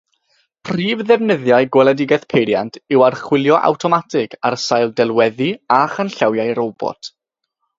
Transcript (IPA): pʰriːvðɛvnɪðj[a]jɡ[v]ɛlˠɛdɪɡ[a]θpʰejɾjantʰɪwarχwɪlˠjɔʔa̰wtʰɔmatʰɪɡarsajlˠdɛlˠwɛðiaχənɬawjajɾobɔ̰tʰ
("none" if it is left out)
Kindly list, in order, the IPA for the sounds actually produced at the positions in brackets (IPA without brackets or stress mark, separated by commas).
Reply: a, w, ɛ